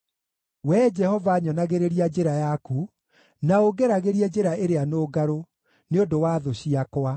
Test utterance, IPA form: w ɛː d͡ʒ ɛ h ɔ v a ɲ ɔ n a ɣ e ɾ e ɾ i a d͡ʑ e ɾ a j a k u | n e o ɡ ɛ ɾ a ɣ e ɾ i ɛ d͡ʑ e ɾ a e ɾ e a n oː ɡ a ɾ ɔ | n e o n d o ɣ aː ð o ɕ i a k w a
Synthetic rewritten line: w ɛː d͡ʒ ɛ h ɔ v a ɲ ɔ n a ɣ e ɾ e ɾ i a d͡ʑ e ɾ a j a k u | n a o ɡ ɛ ɾ a ɣ e ɾ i ɛ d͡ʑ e ɾ a e ɾ e a n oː ɡ a ɾ o | n e o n d o w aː ð o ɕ i a k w a

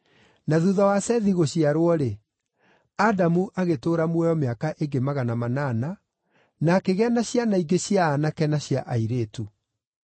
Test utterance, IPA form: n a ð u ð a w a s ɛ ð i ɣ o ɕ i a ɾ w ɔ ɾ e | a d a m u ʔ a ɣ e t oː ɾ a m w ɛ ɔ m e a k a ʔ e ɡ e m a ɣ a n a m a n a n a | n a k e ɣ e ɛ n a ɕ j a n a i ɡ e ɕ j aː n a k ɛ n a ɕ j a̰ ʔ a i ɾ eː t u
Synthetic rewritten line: n a ð u ð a w a s ɛ ð i ɣ o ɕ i a ɾ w ɔ ɾ e | a d a m u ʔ a ɣ e t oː ɾ a m w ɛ ɔ m e a k a ʔ e ɡ e m a ɣ a n a m a n a n a | n a k e ɣ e a n a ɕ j a n a i ɡ e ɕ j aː n a k ɛ n a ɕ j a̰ ʔ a i ɾ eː t u

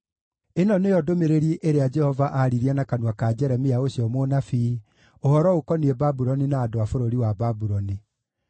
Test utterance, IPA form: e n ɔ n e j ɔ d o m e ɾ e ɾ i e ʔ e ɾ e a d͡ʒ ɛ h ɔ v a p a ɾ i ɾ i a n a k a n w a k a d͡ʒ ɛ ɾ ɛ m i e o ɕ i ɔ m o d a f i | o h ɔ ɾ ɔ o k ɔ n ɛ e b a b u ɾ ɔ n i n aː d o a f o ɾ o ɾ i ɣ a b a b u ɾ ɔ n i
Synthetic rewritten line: e n ɔ n e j ɔ d o m e ɾ e ɾ i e ʔ e ɾ e a d͡ʒ ɛ h ɔ v a ʔ a ɾ i ɾ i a n a k a n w a k a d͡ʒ ɛ ɾ ɛ m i a o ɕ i ɔ m o n a f i | o h ɔ ɾ ɔ o k ɔ n i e b a b u ɾ ɔ n i n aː d o a f o ɾ o ɾ i w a b a b u ɾ ɔ n i

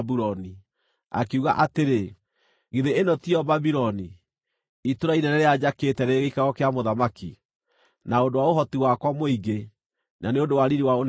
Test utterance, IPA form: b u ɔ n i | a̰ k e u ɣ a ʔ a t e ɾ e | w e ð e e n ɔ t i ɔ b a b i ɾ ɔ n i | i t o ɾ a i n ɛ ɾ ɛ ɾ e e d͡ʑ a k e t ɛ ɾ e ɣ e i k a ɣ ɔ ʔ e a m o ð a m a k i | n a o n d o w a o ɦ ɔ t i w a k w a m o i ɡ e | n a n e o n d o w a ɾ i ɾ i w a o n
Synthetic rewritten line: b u ɔ n i | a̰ k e u ɣ a ʔ a t e ɾ e | ɣ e ð e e n ɔ t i ɔ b a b i ɾ ɔ n i | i t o ɾ a i n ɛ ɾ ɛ ɾ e a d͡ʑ a k e t ɛ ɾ e ɣ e i k a ɣ ɔ k e a m o ð a m a k i | n a o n d o w a o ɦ ɔ t i w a k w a m o i ɡ e | n a n e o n d o w a ɾ i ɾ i w a o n

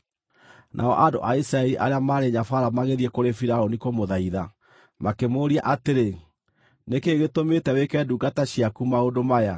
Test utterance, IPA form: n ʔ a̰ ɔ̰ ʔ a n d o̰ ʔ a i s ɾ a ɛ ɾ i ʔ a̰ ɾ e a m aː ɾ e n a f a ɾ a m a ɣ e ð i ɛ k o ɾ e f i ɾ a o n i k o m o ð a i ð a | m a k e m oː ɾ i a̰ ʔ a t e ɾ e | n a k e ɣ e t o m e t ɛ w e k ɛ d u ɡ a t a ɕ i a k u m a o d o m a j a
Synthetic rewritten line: n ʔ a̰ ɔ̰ ʔ a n d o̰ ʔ a i s ɾ a ɛ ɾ i ʔ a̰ ɾ e a m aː ɾ e ɲ a f a ɾ a m a ɣ e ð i ɛ k o ɾ e f i ɾ a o n i k o m o ð a i ð a | m a k e m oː ɾ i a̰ ʔ a t e ɾ e | n e k e ɣ e t o m e t ɛ w e k ɛ d u ɡ a t a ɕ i a k u m a o d o m a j a

